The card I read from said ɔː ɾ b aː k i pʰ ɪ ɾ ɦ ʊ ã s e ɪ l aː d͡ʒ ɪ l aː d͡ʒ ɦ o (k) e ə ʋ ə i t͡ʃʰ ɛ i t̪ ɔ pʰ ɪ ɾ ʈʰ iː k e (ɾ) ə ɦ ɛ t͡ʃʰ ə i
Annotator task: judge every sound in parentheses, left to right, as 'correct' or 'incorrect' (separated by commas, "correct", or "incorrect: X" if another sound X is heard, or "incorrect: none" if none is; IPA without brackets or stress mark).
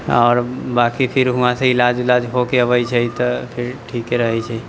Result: correct, correct